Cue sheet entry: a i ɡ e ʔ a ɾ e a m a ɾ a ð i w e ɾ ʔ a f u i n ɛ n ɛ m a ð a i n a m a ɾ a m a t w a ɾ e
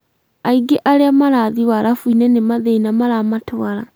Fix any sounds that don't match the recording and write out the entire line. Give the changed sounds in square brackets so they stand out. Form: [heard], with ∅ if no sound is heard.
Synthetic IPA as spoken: a i ɡ e ʔ a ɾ e a m a ɾ a ð i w [a] ɾ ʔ a f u i n ɛ n [e] m a ð [e] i n a m a ɾ a m a t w a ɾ [a]